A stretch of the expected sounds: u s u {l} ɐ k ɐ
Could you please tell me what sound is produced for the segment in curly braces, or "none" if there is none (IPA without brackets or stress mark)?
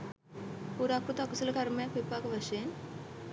l